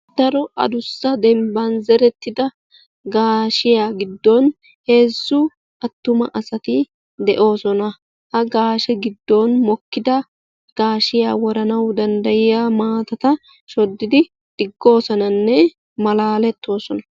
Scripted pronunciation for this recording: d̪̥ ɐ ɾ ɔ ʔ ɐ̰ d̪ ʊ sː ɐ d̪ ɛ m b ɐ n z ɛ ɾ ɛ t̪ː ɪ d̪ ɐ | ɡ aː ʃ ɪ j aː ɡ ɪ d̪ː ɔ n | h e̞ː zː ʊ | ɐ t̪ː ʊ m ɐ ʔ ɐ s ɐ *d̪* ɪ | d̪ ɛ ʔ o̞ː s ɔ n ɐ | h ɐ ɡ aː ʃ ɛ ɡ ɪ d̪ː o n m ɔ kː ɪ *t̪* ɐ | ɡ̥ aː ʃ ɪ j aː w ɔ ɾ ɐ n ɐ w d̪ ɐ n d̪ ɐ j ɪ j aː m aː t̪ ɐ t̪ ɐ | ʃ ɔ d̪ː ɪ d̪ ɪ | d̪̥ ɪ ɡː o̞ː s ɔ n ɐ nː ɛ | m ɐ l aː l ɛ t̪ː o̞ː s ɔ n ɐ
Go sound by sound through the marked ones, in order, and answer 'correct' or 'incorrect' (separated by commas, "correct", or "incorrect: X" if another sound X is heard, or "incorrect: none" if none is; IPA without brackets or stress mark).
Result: incorrect: t̪, incorrect: d̪